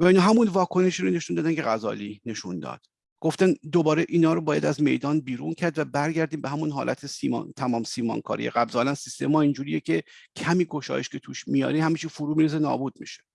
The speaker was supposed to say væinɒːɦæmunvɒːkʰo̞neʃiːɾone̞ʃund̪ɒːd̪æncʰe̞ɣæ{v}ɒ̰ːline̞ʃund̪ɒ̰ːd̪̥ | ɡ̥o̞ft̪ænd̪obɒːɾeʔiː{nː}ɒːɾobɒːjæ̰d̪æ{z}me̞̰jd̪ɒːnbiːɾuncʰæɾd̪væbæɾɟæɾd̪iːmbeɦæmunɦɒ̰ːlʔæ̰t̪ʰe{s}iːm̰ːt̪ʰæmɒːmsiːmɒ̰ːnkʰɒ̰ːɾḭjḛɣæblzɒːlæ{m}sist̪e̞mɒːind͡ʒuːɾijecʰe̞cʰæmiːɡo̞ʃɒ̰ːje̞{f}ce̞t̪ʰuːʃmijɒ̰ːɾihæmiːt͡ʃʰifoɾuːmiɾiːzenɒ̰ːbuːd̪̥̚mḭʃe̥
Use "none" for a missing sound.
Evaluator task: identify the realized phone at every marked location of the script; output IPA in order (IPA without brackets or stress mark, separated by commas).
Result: z, n, z, s, n, ʃ